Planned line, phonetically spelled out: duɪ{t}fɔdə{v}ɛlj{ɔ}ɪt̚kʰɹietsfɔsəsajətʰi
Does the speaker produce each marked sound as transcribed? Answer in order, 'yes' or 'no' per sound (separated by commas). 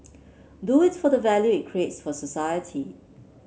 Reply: yes, yes, no